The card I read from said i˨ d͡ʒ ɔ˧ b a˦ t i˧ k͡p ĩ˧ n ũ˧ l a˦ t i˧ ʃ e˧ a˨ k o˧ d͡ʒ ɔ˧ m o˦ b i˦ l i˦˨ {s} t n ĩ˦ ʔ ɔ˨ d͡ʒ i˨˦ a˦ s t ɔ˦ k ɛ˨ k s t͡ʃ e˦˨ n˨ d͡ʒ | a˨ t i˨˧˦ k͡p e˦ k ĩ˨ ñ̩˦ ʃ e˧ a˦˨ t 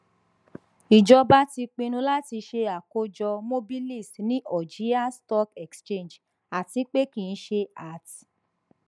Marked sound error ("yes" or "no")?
no